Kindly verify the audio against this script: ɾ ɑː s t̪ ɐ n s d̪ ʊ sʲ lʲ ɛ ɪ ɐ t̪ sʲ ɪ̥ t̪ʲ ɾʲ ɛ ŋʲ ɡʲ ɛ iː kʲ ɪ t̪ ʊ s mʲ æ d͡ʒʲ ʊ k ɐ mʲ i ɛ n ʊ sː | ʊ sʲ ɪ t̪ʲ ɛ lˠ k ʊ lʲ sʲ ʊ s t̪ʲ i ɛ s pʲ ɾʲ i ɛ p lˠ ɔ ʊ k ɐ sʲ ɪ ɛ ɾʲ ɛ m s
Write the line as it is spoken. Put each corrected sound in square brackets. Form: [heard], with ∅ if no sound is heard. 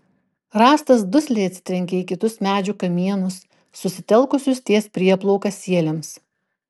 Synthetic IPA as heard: ɾ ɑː s t̪ ɐ [∅] s d̪ ʊ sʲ lʲ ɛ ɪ ɐ t̪ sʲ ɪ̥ t̪ʲ ɾʲ ɛ ŋʲ [kʲ] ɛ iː kʲ ɪ t̪ ʊ s mʲ [æː] d͡ʒʲ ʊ k ɐ mʲ i ɛ n ʊ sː | ʊ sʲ ɪ t̪ʲ ɛ lˠ k ʊ [∅] sʲ ʊ s t̪ʲ i ɛ s pʲ ɾʲ i ɛ p lˠ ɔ ʊ k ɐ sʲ [i] ɛ [lʲ] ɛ m s